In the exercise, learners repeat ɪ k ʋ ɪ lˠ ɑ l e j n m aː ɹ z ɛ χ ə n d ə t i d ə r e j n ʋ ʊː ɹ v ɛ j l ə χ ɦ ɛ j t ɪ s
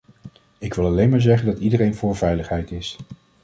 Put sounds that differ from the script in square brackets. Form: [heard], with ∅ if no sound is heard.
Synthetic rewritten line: ɪ k ʋ ɪ lˠ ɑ l e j n m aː ɹ z ɛ χ ə n d [ɑ] t i d ə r e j n [v] ʊː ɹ v ɛ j l ə χ ɦ ɛ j t ɪ s